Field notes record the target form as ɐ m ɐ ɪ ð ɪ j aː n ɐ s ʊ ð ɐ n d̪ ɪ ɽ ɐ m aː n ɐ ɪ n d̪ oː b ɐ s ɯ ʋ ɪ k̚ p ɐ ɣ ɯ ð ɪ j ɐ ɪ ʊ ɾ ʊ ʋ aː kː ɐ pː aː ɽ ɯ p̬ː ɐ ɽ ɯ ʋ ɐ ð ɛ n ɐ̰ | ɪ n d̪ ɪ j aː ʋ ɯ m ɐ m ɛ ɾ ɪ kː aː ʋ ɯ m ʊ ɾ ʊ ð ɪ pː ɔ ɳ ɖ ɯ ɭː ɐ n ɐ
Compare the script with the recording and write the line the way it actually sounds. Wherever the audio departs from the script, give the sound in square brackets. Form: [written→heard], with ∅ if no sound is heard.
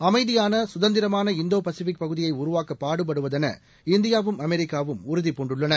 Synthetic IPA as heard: ɐ m ɐ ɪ ð ɪ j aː n ɐ s ʊ ð ɐ n d̪ ɪ [ɽ→ɾ] ɐ m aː n ɐ ɪ n d̪ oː [b→p] ɐ s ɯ ʋ ɪ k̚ p ɐ ɣ ɯ ð ɪ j ɐ ɪ ʊ ɾ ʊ ʋ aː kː ɐ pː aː ɽ ɯ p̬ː ɐ ɽ ɯ ʋ ɐ ð ɛ n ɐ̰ | ɪ n d̪ ɪ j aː ʋ ɯ m ɐ m ɛ ɾ ɪ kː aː ʋ ɯ m ʊ ɾ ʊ ð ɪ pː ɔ ɳ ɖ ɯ ɭː ɐ n ɐ